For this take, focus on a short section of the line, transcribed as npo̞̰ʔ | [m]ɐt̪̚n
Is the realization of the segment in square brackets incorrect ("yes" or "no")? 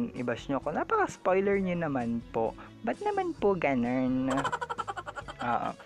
yes